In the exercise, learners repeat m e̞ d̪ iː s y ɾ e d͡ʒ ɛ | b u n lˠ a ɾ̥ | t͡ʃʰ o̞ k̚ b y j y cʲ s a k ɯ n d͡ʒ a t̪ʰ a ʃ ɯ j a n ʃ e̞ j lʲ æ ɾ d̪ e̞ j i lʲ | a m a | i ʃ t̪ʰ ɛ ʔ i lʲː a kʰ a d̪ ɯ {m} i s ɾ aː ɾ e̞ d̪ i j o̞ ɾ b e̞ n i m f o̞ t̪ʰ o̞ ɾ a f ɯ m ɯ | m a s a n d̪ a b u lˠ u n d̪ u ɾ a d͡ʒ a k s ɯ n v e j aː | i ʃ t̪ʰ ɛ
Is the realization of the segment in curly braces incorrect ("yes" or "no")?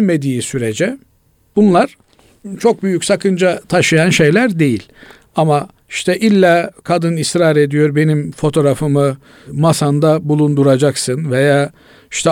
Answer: yes